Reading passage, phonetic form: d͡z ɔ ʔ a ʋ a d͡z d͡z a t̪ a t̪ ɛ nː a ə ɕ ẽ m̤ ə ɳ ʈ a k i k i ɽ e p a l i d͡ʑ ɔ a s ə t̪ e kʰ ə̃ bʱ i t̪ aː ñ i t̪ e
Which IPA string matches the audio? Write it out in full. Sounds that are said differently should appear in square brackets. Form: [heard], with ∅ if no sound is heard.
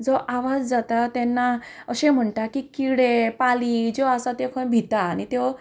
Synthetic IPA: d͡z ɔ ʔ a ʋ a d͡z d͡z a t̪ a t̪ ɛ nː a ə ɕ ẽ m̤ ə ɳ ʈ a k i k i ɽ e p a l i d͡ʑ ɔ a s [a] t̪ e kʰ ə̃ bʱ i t̪ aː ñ i t̪ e